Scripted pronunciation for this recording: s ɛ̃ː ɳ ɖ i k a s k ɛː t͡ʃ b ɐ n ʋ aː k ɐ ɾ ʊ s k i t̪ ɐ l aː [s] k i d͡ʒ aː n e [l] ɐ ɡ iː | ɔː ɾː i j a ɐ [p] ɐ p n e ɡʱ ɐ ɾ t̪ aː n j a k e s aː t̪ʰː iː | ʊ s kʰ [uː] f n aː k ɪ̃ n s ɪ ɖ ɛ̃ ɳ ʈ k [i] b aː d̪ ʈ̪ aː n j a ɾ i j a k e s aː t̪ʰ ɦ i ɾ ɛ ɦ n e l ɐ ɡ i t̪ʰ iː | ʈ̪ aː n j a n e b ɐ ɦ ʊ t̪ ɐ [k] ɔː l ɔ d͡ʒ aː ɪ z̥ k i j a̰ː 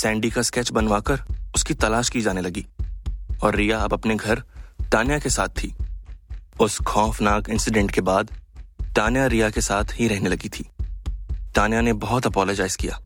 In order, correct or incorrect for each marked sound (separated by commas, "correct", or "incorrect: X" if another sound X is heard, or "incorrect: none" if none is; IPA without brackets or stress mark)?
incorrect: ʃ, correct, incorrect: b, incorrect: ɔː, incorrect: e, incorrect: p